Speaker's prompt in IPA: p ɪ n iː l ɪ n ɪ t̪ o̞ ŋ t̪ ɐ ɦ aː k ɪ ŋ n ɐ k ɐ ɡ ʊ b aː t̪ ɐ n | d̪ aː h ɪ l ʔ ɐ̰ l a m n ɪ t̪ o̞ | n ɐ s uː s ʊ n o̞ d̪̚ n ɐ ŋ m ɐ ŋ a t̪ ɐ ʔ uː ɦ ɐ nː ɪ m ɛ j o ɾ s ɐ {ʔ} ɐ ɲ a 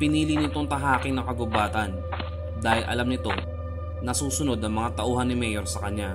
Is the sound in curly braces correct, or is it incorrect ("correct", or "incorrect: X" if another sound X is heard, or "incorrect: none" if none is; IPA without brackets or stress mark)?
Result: incorrect: k